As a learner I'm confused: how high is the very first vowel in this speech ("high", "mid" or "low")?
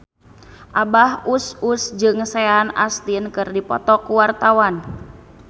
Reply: low